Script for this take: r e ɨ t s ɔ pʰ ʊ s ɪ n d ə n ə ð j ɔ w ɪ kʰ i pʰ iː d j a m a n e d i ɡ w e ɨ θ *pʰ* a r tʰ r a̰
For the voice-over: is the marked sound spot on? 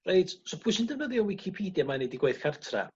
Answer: no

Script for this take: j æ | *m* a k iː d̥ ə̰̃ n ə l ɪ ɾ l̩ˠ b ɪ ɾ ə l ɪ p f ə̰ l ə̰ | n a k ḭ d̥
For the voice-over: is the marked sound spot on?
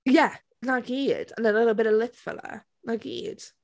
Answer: no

